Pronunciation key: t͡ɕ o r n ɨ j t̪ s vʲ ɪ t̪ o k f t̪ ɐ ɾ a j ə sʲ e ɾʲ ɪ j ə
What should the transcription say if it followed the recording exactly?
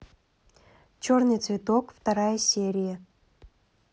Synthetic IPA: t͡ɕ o r n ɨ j t̪ s vʲ ɪ t̪ o k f t̪ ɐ ɾ a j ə sʲ e ɾʲ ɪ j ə

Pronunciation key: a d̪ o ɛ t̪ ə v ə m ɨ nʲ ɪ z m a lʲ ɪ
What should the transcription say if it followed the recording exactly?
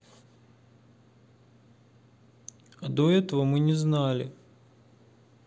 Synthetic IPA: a d̪ o ɛ t̪ ə v ə m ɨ nʲ ɪ z n a lʲ ɪ

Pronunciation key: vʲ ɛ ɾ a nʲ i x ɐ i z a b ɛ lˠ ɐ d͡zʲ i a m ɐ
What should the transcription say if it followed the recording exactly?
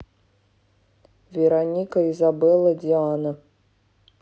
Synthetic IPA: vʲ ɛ ɾ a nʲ i k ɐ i z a b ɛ lˠ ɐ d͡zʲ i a n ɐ

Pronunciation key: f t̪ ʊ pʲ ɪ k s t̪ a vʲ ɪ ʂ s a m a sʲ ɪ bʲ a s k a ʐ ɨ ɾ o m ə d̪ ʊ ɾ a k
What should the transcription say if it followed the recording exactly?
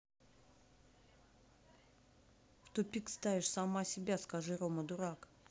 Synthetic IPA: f t̪ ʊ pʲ i k s t̪ a vʲ ɪ ʂ s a m a sʲ ɪ bʲ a s k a ʐ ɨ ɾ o m ə d̪ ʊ ɾ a k

